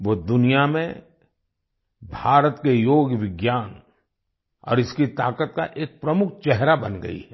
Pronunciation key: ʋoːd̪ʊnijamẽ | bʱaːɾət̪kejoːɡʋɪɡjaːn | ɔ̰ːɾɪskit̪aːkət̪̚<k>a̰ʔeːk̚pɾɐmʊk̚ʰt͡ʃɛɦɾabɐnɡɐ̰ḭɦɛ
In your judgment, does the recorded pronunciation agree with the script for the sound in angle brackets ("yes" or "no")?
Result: yes